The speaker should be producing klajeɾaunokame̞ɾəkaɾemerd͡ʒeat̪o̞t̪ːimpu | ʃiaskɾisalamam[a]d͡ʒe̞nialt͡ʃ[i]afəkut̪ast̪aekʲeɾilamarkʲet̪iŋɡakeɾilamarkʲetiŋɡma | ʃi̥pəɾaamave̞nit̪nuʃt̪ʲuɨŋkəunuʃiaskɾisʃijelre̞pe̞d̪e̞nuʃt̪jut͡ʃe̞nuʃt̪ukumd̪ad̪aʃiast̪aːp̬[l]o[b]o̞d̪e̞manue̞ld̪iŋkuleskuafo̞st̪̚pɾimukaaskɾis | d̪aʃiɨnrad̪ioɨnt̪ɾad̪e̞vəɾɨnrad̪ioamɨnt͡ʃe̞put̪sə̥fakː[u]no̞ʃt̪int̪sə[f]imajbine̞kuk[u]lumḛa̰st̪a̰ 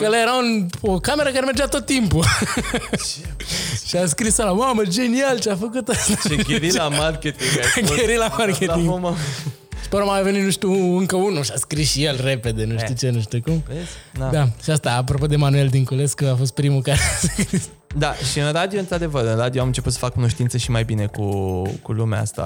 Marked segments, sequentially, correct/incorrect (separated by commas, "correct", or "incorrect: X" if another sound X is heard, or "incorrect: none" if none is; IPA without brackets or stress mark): incorrect: ə, incorrect: e, incorrect: ɾ, incorrect: p, correct, incorrect: ʃ, correct